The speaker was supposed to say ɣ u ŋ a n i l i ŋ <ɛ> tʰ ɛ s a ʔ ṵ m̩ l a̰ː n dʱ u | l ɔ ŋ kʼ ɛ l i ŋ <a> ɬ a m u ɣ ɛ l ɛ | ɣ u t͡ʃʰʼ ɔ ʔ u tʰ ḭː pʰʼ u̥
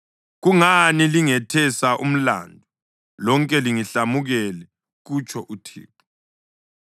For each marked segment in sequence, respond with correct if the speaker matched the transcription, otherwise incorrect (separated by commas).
correct, incorrect